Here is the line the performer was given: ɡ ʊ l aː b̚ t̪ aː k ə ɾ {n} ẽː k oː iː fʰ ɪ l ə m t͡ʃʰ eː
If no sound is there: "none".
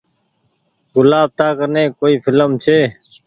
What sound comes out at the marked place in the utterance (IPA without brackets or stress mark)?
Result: n